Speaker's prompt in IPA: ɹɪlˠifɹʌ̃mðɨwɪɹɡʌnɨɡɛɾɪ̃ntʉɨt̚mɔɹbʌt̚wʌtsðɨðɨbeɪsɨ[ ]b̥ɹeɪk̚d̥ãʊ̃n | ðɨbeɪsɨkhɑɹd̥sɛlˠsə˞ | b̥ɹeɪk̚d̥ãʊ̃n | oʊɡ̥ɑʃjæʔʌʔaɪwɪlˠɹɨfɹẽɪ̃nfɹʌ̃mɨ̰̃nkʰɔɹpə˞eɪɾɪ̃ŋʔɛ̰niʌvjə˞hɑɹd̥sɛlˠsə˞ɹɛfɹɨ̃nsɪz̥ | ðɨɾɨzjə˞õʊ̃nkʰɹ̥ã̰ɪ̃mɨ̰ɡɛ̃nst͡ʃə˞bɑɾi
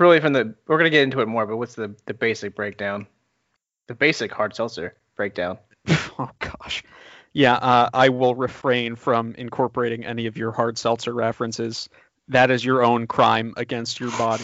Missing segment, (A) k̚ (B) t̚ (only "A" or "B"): A